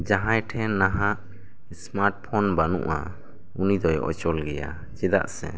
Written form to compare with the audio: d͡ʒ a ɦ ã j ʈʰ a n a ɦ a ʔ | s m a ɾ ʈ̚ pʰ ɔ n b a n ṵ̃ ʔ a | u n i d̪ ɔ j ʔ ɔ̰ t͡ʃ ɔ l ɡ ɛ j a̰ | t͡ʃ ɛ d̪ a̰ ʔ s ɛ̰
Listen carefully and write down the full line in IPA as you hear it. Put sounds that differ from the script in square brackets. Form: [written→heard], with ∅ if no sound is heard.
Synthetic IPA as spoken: d͡ʒ a ɦ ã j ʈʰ [a→ɛ] n a ɦ a ʔ | s m a ɾ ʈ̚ pʰ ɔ n b a n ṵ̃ ʔ a | u n i d̪ ɔ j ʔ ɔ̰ t͡ʃ ɔ l ɡ ɛ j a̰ | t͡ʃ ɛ d̪ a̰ ʔ s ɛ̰